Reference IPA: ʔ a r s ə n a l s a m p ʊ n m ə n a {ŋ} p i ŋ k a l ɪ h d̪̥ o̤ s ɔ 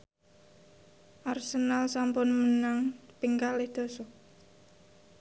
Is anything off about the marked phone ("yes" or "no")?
no